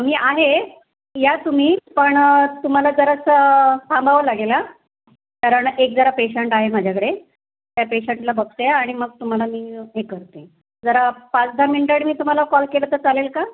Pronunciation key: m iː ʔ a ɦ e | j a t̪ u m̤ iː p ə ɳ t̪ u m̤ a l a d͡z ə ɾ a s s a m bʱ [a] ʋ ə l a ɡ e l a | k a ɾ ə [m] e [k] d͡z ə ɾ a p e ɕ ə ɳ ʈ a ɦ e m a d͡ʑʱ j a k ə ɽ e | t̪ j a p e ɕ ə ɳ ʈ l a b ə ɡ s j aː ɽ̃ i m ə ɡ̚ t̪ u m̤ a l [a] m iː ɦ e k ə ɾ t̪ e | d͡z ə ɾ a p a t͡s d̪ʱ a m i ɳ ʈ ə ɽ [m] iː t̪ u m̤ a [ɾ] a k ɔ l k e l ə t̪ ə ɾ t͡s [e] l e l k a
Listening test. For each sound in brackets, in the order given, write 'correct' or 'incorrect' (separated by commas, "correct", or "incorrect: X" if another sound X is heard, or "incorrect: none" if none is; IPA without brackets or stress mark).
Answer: correct, incorrect: ɳ, correct, correct, correct, incorrect: l, incorrect: a